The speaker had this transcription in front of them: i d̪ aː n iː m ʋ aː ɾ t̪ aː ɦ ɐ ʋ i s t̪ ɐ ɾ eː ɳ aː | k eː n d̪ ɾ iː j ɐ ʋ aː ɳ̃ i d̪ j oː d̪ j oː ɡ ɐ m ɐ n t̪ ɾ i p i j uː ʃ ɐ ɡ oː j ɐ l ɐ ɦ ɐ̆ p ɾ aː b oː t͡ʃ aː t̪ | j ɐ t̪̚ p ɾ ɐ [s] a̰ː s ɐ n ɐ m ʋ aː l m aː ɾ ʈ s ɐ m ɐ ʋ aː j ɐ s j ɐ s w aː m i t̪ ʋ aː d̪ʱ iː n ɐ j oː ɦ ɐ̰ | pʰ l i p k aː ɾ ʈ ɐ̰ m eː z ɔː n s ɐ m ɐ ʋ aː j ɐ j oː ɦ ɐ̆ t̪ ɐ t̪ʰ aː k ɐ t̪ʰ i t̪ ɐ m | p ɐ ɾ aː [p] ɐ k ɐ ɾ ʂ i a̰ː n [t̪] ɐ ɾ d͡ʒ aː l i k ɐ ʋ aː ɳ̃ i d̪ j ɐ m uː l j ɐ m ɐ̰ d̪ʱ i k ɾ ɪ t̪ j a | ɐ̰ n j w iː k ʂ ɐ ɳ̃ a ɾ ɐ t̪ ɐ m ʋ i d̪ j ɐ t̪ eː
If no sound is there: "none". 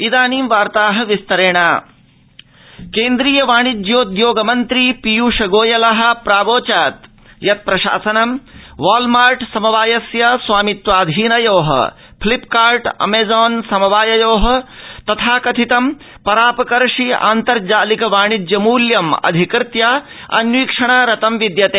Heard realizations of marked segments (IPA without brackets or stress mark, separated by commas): ʃ, p, t̪